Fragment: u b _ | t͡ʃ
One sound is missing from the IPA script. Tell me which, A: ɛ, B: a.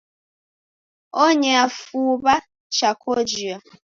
B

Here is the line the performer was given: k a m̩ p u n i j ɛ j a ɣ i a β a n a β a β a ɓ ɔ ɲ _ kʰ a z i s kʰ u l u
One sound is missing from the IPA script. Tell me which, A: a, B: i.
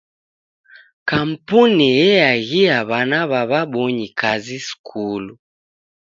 B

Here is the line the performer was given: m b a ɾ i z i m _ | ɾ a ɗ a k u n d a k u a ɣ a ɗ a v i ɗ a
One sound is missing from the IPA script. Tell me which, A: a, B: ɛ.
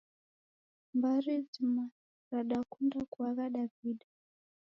A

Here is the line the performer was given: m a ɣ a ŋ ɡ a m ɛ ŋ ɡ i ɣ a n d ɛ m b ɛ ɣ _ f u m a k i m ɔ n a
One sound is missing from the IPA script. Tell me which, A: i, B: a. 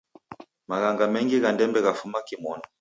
B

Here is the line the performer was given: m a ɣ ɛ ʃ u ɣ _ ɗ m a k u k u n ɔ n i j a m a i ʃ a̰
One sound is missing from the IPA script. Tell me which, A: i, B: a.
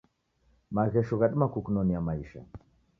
B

